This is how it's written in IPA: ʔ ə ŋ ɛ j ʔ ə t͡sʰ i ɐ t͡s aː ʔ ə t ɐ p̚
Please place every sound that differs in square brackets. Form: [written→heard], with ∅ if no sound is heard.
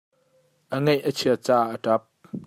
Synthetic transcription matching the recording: ʔ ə ŋ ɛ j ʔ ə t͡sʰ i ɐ t͡s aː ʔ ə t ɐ p̚

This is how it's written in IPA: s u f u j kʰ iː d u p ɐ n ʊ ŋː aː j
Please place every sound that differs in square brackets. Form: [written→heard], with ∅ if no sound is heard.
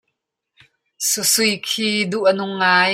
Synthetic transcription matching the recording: s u [f→s] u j kʰ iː d u [p→ʔ] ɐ n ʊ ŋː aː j

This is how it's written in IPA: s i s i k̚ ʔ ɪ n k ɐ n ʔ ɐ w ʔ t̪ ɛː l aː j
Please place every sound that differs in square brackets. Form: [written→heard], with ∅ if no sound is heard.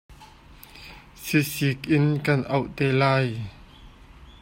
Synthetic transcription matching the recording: s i s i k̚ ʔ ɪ n k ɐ n ʔ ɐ w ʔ t̪ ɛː l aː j

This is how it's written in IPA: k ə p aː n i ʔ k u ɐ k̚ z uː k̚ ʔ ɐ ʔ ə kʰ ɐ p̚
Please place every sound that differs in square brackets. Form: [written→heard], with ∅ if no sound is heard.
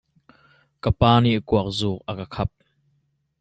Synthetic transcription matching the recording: k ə p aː n i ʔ k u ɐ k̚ z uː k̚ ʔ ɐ [ʔ→k] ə kʰ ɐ p̚

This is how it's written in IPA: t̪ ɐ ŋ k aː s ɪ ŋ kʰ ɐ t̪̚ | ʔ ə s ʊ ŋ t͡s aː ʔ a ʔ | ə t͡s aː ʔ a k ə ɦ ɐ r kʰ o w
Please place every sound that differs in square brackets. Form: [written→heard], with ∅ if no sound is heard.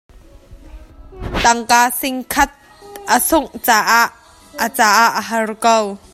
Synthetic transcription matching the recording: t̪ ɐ ŋ k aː s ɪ ŋ kʰ ɐ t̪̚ | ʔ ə s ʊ ŋ t͡s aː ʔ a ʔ | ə t͡s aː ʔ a [k→ʔ] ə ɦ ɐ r [kʰ→k] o w

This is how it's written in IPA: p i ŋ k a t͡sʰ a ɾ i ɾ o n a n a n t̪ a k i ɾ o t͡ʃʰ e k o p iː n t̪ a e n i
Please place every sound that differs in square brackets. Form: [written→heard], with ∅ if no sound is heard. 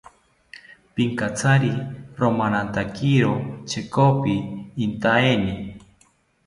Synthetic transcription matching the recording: p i ŋ k a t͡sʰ a ɾ i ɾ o [n→m] a n a n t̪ a k i ɾ o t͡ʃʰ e k o p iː n t̪ a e n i

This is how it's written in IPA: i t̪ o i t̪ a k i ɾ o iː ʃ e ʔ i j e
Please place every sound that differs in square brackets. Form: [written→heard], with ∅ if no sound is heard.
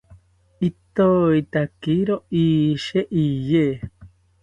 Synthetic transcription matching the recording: i t̪ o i t̪ a k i ɾ o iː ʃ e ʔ i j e

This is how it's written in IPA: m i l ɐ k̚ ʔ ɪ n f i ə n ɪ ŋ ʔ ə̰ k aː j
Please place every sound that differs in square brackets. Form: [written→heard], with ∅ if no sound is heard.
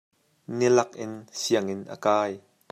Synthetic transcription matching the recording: [m→n] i l ɐ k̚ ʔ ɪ n [f→s] i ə [n→ŋ] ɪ [ŋ→n] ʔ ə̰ k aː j

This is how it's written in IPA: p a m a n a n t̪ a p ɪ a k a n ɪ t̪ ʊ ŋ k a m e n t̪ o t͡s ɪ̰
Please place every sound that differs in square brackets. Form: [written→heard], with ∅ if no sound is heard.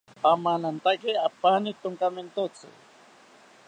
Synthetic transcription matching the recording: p a m a n a n t̪ a [p→k] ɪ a [k→p] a n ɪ t̪ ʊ ŋ k a m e n t̪ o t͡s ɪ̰

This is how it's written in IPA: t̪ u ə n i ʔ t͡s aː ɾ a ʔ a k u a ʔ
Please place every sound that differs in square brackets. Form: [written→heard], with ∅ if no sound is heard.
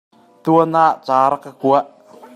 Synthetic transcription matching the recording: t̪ u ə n [i→a] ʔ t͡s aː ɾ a [ʔ→k] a k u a ʔ

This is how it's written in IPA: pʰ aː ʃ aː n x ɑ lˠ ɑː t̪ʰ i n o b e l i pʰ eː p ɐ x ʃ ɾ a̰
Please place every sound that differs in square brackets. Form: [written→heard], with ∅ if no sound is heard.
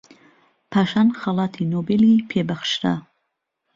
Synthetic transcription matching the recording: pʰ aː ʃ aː n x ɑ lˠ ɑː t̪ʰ i n o b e l i pʰ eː [p→b] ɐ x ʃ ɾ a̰

